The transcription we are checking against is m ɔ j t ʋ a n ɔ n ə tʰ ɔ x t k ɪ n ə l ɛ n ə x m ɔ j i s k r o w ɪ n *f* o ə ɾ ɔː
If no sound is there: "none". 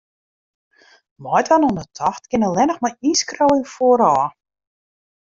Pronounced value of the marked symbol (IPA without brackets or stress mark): f